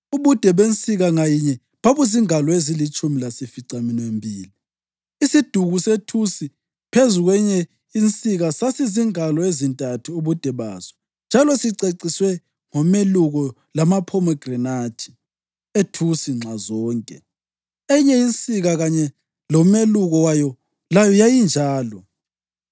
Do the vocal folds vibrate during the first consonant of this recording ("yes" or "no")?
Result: yes